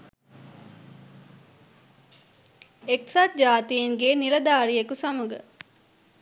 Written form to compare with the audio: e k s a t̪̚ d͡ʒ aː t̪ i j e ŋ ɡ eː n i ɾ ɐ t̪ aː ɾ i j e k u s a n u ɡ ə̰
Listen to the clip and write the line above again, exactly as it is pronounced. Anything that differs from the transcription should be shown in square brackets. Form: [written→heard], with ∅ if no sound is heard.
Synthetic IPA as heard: e k s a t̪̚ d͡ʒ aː t̪ i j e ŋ ɡ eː n i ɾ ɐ [t̪→d̪] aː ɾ i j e k u s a [n→m] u ɡ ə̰